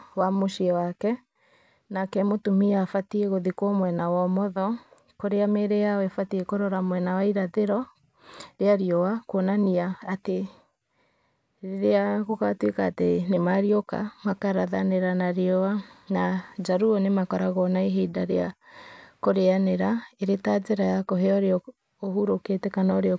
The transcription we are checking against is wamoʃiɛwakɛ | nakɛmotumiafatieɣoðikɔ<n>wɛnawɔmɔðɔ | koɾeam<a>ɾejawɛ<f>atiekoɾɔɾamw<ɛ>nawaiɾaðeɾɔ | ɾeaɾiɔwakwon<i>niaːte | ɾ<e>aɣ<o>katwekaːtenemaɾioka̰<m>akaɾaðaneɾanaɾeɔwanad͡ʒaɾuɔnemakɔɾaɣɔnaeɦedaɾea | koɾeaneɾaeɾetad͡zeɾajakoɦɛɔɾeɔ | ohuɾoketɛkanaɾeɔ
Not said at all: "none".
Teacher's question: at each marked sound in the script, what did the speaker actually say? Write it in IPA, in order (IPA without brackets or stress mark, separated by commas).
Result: m, e, f, ɛ, a, e, o, m